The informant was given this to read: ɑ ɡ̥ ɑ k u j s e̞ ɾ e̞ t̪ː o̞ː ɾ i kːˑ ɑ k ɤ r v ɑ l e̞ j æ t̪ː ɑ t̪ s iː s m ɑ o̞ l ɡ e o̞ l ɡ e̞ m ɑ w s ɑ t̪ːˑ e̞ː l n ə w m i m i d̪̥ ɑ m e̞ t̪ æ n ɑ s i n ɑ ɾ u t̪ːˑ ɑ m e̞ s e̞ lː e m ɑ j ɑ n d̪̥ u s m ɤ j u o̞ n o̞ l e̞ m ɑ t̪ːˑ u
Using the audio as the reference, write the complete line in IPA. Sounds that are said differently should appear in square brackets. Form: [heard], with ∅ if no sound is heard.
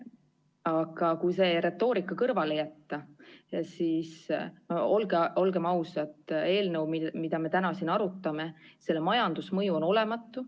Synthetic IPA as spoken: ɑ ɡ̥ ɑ k u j s e̞ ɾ e̞ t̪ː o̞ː ɾ i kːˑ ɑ k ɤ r v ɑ l e̞ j æ t̪ː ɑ [∅] s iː s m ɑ o̞ l ɡ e o̞ l ɡ e̞ m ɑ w s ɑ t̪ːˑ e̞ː l n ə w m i m i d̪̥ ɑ m e̞ t̪ æ n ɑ s i n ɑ ɾ u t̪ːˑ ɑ m e̞ s e̞ lː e m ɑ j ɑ n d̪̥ u s m ɤ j u o̞ n o̞ l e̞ m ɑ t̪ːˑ u

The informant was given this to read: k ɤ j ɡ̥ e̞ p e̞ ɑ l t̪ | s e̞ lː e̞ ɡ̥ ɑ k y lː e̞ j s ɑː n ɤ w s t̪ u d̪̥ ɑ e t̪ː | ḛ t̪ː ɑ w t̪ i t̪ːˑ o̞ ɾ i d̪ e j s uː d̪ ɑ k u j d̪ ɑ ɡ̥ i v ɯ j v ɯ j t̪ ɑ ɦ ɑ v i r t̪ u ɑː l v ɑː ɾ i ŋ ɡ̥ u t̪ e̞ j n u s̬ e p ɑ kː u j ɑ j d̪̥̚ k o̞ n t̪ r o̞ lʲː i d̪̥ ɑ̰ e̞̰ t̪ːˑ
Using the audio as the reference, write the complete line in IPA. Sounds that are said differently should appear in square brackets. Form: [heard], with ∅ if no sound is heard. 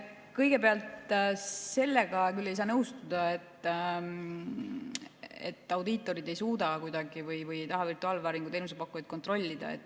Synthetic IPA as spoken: k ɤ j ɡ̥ e̞ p e̞ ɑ l t̪ | s e̞ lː e̞ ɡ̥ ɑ k y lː e̞ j s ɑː n ɤ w s t̪ u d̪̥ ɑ e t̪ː | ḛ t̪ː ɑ w [d̪] i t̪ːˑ o̞ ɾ i d̪ e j s uː d̪ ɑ k u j d̪ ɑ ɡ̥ i v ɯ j v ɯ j t̪ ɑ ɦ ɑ v i r t̪ u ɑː l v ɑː ɾ i ŋ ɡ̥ u t̪ e̞ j n u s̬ e p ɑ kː u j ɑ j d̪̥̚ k o̞ n t̪ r o̞ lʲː i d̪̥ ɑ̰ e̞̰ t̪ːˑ

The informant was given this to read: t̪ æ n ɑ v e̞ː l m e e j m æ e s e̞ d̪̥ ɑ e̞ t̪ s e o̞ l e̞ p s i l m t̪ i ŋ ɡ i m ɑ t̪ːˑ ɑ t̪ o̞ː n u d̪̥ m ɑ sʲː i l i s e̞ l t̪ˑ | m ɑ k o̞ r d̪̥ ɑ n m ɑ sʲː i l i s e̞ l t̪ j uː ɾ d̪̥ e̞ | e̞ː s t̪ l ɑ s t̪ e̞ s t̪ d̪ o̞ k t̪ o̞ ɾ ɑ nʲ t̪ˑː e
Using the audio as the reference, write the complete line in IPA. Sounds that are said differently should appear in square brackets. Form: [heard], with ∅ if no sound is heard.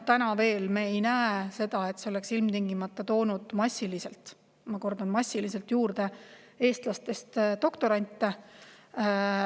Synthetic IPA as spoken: t̪ æ n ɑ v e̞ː l m e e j [n] æ e s e̞ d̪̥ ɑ e̞ t̪ s e o̞ l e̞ [k] s i l m t̪ i ŋ ɡ i m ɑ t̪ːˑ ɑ t̪ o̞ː n u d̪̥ m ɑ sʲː i l i s e̞ l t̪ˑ | m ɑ k o̞ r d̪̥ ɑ n m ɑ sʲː i l i s e̞ l t̪ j uː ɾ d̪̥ e̞ | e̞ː s t̪ l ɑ s t̪ e̞ s t̪ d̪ o̞ k t̪ o̞ ɾ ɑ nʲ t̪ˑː e

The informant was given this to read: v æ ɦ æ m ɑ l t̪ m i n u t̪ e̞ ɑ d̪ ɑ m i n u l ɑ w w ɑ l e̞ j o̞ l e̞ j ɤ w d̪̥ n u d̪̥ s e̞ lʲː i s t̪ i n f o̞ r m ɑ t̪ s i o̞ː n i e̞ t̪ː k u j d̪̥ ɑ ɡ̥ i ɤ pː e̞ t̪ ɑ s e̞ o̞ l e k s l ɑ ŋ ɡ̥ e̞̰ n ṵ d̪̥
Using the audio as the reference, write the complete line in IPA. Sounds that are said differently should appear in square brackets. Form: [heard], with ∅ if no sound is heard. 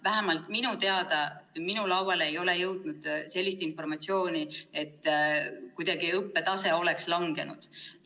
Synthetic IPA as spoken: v æ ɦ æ m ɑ l t̪ m i n u t̪ e̞ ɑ d̪ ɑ m i n u l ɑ w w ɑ l e̞ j o̞ l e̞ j ɤ w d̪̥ n u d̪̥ s e̞ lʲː i s t̪ i n f o̞ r m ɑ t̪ s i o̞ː n i e̞ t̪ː k u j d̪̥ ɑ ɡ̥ i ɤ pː e̞ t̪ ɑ s e̞ o̞ l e k s l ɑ ŋ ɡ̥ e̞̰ n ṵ d̪̥

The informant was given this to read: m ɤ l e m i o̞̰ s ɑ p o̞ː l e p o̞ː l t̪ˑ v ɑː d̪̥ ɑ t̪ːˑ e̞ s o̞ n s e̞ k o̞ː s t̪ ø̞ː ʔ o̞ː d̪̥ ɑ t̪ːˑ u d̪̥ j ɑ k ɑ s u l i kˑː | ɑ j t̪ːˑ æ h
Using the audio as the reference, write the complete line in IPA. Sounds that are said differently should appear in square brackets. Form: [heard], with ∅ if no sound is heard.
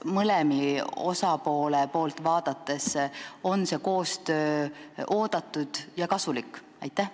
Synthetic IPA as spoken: m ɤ l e m i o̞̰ s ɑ p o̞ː l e p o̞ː l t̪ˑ v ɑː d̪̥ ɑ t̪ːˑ e̞ s o̞ n s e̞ k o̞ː s t̪ ø̞ː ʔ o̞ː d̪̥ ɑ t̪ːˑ u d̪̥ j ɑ k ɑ s u l i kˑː | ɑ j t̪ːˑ æ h

